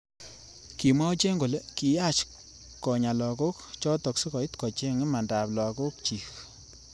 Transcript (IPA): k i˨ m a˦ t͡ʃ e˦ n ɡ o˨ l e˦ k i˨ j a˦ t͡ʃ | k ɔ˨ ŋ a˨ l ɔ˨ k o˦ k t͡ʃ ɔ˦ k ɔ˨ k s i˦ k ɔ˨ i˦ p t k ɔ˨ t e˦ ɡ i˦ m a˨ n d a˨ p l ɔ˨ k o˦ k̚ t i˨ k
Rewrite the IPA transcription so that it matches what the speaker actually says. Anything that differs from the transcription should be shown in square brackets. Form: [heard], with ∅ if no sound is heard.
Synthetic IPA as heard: k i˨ m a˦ t͡ʃ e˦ [ŋ] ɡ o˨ l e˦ k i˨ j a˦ t͡ʃ | k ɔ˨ [ɲ] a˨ l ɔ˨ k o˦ k t͡ʃ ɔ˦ [t] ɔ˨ k s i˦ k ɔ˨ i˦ [∅] t k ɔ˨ [t͡ʃ] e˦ [ŋ] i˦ m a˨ n d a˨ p l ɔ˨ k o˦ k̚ [t͡ʃ] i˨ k